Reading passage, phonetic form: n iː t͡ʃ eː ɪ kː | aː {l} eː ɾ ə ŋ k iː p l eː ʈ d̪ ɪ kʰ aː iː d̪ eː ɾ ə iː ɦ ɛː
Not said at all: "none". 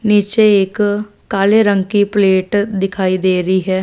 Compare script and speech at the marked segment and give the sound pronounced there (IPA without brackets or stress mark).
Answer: l